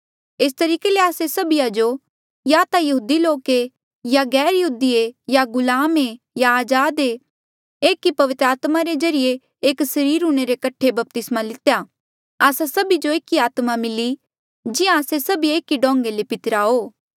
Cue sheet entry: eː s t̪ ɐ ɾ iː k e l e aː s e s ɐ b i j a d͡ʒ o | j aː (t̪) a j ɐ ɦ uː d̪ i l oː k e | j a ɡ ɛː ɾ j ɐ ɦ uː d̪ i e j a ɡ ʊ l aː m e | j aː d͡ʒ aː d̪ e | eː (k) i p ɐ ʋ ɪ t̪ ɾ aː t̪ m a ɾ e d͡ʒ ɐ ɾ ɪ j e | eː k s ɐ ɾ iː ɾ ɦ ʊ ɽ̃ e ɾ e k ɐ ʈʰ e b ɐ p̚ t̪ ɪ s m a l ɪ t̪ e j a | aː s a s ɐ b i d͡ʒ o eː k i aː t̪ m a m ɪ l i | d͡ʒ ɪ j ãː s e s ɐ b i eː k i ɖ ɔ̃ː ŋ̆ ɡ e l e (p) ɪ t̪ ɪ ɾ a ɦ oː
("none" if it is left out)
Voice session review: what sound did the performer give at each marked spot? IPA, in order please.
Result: t̪, k, p

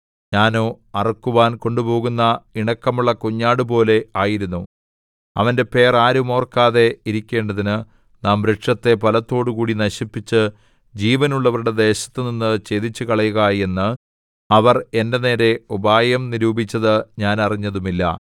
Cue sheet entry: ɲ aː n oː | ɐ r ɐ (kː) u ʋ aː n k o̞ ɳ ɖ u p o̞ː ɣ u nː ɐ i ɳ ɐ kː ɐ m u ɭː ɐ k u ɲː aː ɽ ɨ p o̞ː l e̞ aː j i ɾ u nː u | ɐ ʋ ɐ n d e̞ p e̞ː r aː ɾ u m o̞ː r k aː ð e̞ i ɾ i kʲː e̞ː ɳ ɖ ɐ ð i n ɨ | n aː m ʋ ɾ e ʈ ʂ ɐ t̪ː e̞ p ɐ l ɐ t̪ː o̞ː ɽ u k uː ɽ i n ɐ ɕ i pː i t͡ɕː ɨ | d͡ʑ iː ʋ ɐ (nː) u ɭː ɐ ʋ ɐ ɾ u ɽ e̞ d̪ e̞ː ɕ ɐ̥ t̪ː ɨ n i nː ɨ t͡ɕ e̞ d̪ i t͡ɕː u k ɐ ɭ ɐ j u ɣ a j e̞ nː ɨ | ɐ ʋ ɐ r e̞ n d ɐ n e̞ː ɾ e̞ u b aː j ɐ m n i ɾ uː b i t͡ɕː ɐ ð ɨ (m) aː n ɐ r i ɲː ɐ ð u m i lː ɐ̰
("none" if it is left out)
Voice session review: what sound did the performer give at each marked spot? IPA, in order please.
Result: kː, n, ɲ

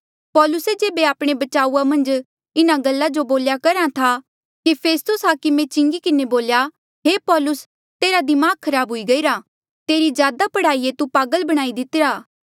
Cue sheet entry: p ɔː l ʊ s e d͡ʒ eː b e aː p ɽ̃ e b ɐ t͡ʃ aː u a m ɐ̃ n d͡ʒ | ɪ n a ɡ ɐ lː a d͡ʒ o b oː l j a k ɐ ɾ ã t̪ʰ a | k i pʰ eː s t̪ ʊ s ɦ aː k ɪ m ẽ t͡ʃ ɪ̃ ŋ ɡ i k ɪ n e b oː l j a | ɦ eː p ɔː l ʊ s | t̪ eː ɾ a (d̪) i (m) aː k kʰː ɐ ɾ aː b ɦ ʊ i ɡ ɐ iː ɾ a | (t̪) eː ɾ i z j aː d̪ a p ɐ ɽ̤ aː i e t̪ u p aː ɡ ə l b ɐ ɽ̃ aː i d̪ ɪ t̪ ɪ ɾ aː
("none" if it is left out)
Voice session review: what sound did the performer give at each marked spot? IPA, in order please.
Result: d̪, m, t̪

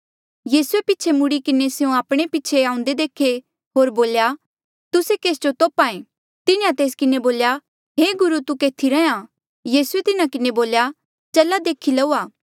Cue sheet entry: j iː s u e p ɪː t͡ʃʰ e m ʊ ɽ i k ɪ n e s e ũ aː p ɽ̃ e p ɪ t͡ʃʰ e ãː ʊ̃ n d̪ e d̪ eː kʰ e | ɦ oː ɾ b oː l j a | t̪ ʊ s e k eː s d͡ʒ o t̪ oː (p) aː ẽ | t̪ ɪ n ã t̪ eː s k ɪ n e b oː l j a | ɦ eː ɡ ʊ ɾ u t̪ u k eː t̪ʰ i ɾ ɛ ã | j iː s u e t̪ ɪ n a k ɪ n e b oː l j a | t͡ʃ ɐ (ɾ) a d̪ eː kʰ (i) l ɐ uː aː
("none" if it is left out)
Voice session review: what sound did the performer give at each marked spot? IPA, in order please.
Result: p, l, i

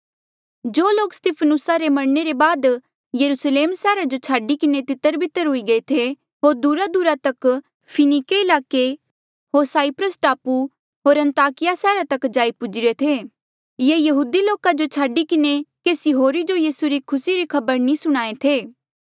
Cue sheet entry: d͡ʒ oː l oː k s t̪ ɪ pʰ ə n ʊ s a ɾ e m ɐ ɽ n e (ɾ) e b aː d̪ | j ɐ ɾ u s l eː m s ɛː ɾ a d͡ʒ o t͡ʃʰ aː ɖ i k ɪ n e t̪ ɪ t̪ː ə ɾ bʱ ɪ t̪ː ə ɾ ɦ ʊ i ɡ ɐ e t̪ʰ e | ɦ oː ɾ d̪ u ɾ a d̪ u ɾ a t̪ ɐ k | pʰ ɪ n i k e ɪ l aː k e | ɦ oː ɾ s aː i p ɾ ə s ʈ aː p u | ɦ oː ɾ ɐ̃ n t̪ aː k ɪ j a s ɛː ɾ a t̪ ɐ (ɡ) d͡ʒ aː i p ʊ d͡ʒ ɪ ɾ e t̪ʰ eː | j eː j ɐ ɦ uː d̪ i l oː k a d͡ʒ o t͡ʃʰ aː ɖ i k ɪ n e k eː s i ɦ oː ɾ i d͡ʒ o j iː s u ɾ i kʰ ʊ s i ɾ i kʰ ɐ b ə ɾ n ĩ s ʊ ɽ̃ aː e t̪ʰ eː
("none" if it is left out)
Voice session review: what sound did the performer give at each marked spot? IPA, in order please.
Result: ɾ, k

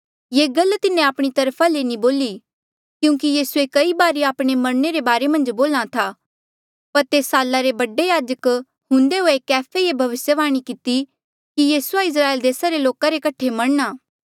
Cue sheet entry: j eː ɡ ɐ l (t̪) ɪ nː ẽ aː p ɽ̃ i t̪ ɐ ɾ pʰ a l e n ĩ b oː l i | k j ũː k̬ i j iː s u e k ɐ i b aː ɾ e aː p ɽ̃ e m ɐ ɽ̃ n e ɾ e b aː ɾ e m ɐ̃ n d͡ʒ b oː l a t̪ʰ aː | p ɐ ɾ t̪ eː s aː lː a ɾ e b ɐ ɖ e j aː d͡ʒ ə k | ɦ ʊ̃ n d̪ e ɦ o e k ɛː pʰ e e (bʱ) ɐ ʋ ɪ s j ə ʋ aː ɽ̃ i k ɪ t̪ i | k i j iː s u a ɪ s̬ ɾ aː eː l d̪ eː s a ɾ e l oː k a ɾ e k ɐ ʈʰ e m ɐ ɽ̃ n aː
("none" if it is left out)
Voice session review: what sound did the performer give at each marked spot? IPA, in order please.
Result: t̪, bʱ

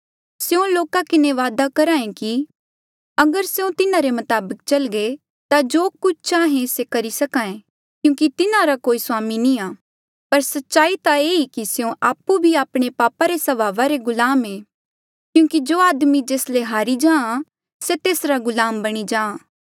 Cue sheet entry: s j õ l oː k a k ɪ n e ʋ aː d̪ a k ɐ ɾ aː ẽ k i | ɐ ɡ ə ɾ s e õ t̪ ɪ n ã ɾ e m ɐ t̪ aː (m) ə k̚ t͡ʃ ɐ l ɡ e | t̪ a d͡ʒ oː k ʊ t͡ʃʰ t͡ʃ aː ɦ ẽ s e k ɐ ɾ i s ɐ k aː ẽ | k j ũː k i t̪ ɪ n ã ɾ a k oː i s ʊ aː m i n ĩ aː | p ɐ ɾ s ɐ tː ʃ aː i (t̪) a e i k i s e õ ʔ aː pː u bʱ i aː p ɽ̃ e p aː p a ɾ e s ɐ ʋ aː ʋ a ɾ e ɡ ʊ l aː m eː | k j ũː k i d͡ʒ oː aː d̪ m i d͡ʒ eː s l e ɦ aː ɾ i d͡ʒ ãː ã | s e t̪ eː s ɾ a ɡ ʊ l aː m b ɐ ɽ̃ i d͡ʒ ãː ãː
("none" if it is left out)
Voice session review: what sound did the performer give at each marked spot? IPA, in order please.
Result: b, t̪

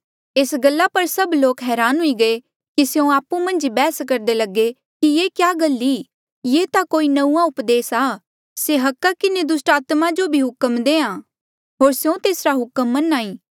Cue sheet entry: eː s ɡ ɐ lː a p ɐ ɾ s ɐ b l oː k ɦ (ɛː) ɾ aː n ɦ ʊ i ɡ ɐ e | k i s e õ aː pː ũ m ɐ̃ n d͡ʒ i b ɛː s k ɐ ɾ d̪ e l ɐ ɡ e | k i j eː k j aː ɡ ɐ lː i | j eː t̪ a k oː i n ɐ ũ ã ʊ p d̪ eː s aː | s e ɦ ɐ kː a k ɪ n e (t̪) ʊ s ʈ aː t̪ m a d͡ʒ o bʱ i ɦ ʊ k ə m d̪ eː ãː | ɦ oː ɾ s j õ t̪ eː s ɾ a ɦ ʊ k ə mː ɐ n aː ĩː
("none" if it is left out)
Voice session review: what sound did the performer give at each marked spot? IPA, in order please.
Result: ɛː, d̪

